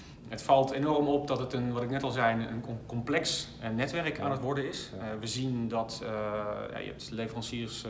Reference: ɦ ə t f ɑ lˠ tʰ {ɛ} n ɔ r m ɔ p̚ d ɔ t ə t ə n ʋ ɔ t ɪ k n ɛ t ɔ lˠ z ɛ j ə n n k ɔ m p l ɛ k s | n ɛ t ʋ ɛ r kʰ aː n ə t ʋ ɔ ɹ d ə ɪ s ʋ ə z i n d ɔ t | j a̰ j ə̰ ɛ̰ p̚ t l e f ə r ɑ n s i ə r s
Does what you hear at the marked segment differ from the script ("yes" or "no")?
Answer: yes